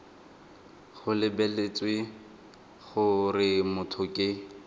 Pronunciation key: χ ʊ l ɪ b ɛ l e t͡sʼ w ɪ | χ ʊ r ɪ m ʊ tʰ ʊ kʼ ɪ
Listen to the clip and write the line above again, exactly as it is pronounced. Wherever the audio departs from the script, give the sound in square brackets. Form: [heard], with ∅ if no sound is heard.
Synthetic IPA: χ ʊ l ɪ b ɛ l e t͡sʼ w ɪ | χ ʊ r ɪ m ʊ tʰ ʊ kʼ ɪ